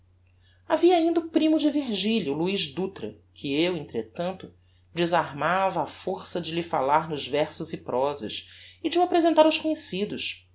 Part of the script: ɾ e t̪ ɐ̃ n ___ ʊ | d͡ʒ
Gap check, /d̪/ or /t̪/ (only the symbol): t̪